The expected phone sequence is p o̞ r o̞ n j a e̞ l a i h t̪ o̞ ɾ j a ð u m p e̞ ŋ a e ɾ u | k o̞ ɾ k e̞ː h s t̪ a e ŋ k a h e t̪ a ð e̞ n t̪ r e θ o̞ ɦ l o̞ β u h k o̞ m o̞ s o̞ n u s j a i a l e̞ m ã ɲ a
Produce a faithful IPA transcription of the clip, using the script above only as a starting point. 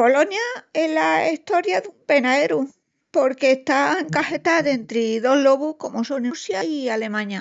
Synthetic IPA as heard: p o̞ l o̞ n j a e̞ l a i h t̪ o̞ ɾ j a ð u m p e̞ n a e ɾ u | p o̞ ɾ k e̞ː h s t̪ a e ŋ k a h e t̪ a ð e̞ n t̪ ɾ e ð o̞ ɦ l o̞ β u h k o̞ m o̞ s o̞ n u s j a i a l e̞ m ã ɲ a